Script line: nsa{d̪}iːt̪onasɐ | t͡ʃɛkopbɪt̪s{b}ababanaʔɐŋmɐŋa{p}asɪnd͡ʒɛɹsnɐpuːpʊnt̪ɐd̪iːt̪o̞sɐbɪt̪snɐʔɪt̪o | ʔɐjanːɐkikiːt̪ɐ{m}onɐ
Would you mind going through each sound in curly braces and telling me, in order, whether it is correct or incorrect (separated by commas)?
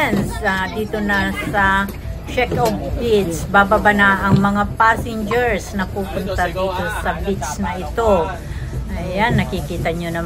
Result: correct, correct, correct, incorrect